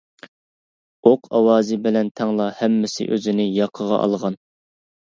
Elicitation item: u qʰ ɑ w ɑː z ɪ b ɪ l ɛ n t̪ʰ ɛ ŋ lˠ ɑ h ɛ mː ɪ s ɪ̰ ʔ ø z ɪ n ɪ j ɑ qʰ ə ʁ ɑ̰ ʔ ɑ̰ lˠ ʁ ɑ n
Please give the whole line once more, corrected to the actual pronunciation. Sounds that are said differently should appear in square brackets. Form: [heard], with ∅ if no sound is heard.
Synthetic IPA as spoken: [o] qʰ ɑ w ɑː z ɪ b ɪ l ɛ n t̪ʰ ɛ ŋ lˠ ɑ h ɛ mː ɪ s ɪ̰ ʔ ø z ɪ n ɪ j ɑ qʰ ə ʁ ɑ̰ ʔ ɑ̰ lˠ ʁ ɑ n